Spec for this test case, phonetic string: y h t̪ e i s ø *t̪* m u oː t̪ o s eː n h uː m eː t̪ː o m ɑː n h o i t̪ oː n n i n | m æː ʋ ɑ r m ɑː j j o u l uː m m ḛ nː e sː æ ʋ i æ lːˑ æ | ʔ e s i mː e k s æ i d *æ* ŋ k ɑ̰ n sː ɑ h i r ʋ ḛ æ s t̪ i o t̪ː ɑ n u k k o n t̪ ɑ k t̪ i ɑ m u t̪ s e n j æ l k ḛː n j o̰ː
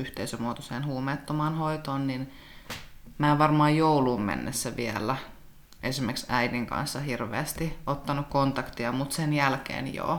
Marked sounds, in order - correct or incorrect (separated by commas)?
incorrect, incorrect